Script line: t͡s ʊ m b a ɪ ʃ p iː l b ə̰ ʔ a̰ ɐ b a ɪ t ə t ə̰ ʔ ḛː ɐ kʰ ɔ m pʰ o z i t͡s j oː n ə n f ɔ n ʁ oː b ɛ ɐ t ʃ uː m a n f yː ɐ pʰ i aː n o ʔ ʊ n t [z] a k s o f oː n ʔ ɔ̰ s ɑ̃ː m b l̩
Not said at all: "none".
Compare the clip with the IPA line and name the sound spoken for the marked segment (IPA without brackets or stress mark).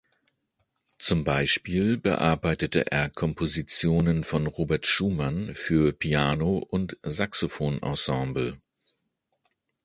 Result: z